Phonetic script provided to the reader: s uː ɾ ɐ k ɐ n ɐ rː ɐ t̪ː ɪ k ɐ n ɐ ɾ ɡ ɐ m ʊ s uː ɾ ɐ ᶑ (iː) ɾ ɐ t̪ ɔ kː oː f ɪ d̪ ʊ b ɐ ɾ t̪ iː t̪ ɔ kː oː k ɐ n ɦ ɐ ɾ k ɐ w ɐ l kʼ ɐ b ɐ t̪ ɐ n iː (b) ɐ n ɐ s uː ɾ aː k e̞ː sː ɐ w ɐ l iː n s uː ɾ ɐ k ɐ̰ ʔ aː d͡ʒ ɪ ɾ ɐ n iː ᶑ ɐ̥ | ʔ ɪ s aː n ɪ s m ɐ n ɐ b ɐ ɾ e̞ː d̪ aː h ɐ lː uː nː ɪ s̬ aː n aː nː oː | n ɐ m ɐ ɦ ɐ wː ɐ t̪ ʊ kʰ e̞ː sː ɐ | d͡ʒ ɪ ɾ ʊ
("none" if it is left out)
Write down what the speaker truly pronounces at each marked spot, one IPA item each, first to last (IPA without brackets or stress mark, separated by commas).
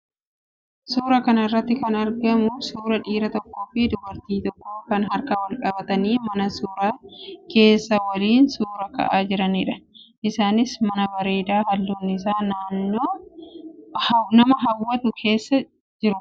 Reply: iː, m